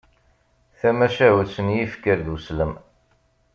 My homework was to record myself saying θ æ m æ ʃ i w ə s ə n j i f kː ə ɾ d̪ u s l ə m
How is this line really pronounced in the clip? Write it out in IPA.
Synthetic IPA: θ æ m æ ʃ æ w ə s ə n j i f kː ə ɾ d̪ u s l ə m